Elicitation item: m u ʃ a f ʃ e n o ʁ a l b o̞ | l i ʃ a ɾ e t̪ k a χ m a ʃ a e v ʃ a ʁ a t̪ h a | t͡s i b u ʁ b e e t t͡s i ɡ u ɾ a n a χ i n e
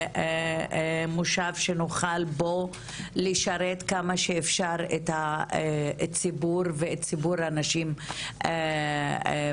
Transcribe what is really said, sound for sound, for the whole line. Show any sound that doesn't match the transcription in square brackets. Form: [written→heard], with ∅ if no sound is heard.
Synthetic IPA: m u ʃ a [f→v] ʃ e n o [ʁ→χ] a l b o̞ | l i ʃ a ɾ e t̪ k a [χ→∅] m a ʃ [a→e] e [v→f] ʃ a ʁ [a→e] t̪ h a | t͡s i b u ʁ [b→v] e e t t͡s i [ɡ→b] u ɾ a n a [χ→ʃ] i [n→m] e